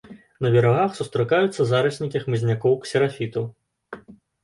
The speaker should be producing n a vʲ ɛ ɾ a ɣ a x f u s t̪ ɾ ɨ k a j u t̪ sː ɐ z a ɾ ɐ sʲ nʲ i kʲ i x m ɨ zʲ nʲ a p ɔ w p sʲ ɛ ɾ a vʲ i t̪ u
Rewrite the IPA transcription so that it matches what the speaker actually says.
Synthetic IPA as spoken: n ɐ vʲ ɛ ɾ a ɣ a x s u s t̪ ɾ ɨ k a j u t̪ sː ɐ z a ɾ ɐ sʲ nʲ i kʲ i x m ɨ zʲ nʲ a k ɔ w k sʲ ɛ ɾ a fʲ i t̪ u